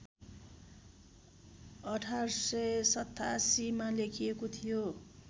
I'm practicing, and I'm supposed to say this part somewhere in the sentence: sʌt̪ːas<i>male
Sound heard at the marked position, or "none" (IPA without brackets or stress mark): i